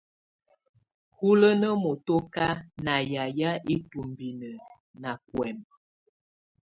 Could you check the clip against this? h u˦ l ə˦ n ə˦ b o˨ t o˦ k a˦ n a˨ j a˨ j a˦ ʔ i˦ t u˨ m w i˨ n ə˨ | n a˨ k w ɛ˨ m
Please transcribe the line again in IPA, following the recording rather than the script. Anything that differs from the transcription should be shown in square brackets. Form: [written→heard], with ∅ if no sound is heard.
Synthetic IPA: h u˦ l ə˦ n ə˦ [b→m] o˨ t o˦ k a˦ n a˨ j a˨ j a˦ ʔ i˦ t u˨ m [w→b] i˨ n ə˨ | n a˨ k w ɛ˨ m